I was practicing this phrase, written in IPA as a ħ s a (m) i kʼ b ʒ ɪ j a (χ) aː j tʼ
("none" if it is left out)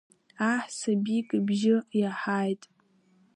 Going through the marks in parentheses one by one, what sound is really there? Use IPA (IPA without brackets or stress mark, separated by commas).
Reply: b, ħ